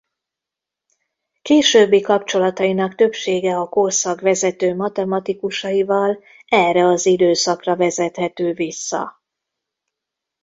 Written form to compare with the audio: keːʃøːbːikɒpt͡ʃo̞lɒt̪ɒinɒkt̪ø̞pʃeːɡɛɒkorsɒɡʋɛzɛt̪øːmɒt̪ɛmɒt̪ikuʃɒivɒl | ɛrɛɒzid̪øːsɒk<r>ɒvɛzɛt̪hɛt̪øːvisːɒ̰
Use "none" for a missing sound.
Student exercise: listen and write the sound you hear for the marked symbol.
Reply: r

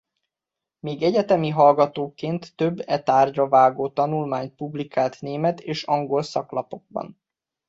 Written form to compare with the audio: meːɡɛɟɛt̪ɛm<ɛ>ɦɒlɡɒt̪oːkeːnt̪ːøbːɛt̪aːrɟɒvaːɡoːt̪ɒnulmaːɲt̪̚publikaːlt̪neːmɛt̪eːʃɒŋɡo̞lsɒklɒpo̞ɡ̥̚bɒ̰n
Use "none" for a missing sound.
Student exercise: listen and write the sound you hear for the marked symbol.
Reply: i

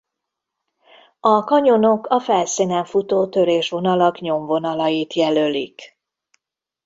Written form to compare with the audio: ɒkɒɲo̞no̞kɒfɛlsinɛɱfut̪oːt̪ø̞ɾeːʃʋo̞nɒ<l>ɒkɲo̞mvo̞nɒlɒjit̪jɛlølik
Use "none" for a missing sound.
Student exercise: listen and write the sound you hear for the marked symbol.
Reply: l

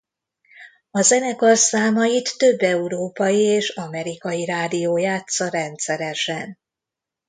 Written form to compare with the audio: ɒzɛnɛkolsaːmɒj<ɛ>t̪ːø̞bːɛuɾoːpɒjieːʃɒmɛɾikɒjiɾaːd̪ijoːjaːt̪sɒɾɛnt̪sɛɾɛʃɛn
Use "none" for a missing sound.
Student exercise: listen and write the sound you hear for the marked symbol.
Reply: i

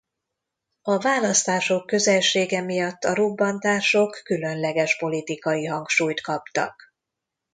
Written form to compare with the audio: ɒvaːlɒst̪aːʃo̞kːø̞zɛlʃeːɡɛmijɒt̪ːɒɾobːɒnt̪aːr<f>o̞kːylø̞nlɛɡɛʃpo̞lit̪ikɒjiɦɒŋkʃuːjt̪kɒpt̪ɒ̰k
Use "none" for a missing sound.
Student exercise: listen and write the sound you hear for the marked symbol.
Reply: ʃ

